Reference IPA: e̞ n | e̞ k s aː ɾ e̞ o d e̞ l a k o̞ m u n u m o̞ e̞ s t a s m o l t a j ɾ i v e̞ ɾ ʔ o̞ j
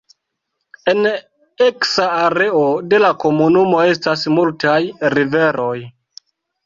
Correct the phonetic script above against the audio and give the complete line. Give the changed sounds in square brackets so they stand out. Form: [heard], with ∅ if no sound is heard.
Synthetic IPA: e̞ n | e̞ k s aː ɾ e̞ o d e̞ l a k o̞ m u n u m o̞ e̞ s t a s m [u] l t a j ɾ i v e̞ ɾ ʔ o̞ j